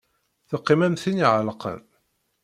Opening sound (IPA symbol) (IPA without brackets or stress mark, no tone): θ